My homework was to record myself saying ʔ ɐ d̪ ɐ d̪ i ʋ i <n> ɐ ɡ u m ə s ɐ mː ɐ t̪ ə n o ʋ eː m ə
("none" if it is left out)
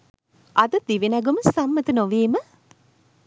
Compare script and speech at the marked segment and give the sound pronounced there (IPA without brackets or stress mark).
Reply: n